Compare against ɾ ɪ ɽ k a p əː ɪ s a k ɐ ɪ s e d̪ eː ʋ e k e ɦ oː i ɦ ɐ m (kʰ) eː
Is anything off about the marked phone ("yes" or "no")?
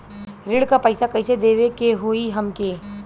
yes